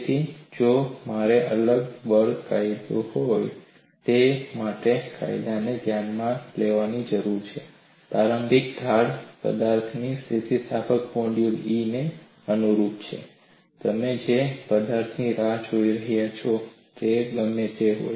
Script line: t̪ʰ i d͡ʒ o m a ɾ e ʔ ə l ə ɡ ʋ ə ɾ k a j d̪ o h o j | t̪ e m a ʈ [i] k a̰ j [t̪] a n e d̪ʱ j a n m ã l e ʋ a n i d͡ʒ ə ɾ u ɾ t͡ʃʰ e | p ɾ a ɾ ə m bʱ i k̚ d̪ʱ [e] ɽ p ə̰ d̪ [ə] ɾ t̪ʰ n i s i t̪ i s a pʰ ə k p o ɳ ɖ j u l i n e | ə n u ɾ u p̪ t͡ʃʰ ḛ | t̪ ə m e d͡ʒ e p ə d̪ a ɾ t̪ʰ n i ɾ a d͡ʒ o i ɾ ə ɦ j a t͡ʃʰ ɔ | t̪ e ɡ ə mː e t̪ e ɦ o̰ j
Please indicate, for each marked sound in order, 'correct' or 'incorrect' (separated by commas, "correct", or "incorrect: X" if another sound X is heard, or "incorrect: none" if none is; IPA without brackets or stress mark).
incorrect: e, incorrect: d̪, incorrect: a, incorrect: a